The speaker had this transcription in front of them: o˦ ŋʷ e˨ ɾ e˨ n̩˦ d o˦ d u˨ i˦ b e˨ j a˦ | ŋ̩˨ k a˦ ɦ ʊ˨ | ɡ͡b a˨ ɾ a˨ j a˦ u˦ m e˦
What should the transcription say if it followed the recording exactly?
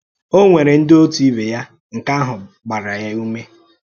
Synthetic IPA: o˦ ŋʷ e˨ ɾ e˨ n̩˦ d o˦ t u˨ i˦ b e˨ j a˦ | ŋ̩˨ k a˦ ɦ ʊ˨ | ɡ͡b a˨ ɾ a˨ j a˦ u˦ m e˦